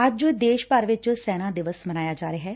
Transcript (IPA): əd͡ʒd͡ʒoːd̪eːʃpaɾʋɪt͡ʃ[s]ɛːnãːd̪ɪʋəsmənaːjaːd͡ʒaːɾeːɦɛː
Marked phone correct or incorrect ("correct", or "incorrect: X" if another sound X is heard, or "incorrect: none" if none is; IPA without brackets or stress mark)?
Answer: correct